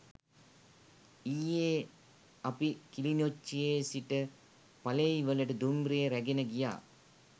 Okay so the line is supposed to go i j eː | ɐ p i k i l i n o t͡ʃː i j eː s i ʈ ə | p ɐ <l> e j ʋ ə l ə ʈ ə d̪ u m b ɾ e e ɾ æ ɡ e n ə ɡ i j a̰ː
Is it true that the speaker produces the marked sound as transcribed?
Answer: yes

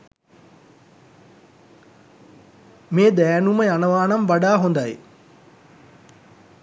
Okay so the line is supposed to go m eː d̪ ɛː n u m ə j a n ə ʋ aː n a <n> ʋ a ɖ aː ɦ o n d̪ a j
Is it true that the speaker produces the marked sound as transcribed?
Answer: no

